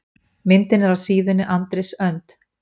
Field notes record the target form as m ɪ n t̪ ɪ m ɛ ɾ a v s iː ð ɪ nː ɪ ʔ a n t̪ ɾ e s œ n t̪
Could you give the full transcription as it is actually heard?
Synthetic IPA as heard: m ɪ n t̪ ɪ n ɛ ɾ a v s iː ð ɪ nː ɪ ʔ a n t̪ ɾ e s œ n t̪

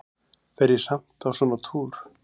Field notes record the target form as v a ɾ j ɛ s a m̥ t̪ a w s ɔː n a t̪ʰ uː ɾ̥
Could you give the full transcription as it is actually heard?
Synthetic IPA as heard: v ɛ ɾ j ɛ s a m̥ t̪ a w s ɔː n a t̪ʰ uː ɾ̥

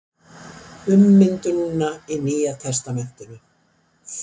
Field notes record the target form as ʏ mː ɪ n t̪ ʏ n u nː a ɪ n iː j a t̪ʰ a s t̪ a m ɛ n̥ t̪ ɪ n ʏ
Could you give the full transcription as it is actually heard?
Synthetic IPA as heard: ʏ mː ɪ n t̪ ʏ n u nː a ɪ n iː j a t̪ʰ ɛ s t̪ a m ɛ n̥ t̪ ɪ n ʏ

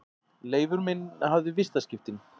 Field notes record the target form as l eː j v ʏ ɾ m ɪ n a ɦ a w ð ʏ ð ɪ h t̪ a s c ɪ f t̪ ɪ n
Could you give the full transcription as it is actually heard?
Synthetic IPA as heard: l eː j v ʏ ɾ m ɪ n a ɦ a v ð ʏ v ɪ s t̪ a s c ɪ f t̪ ɪ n

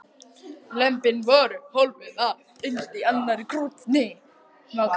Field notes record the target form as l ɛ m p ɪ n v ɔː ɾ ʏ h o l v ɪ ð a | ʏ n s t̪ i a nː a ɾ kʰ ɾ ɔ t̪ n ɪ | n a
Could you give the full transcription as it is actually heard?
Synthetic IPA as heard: l ɛ m p ɪ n v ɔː ɾ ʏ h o l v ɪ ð a | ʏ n s t̪ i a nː a ɾ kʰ ɾ u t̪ n ɪ | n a

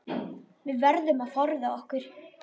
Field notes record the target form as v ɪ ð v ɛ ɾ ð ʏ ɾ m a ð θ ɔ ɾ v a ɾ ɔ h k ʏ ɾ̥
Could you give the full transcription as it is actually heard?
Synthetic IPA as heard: v ɪ ð v ɛ ɾ ð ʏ m a ð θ ɔ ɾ ð a ɔ h k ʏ ɾ̥

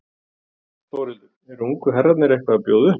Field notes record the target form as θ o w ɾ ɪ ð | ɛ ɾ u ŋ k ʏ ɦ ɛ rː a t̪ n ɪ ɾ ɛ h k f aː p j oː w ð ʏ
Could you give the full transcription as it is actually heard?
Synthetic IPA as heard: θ o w ɾ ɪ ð | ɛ ɾ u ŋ k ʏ ɦ ɛ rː a t̪ n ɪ ɾ ɛ h k v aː p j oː w ð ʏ

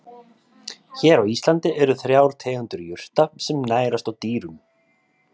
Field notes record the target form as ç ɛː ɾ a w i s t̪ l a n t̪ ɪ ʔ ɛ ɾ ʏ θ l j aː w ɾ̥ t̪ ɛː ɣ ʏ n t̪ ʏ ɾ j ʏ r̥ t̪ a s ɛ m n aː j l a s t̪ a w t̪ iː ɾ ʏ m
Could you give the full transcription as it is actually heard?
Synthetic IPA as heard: ç ɛː ɾ a w i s t̪ l a n t̪ ɪ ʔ ɛ ɾ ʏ θ ɾ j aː w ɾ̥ t̪ʰ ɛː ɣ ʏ n t̪ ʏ ɾ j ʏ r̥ t̪ a s ɛ m n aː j ɾ a s t̪ a w t̪ iː ɾ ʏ m

